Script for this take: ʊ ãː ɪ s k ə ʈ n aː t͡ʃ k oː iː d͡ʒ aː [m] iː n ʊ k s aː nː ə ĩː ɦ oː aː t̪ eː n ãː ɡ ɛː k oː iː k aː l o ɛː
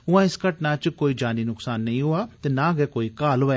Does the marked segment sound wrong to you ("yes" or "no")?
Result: yes